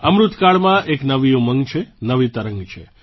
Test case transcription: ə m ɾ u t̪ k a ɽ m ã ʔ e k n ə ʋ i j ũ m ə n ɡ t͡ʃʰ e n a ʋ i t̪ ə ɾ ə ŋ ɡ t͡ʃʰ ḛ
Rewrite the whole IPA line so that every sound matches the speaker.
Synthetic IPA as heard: ə m ɾ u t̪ k a ɭ m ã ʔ e k n ə ʋ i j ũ m ə ŋ ɡ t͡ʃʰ e n ə ʋ i t̪ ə ɾ ə ŋ ɡ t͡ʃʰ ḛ